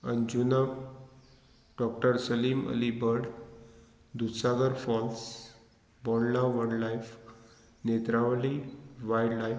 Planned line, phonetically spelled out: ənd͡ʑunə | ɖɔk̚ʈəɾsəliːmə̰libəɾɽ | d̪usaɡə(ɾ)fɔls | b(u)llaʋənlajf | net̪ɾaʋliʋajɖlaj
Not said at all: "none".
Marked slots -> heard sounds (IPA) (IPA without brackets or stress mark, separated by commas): ɾ, ɔ